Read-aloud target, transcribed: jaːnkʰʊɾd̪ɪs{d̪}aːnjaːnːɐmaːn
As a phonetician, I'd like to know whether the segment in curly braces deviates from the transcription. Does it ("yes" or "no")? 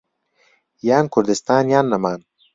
yes